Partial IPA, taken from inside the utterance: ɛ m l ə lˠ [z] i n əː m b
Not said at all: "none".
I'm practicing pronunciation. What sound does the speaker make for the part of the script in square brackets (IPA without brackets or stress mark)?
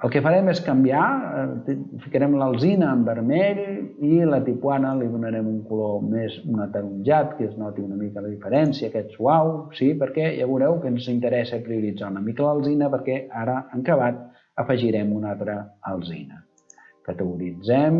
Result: z